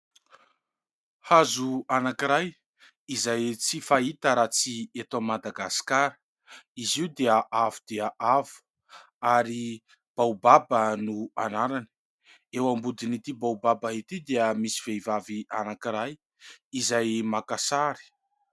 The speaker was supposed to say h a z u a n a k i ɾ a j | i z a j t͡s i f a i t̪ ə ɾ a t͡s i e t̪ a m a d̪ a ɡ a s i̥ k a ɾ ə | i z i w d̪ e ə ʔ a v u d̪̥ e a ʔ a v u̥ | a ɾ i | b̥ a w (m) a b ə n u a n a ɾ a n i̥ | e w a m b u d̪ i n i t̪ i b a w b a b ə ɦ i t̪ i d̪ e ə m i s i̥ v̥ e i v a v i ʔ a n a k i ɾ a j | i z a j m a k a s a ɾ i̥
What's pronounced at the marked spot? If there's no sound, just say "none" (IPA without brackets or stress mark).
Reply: b